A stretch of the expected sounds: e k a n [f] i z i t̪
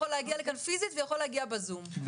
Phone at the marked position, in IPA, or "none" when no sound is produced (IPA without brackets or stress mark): f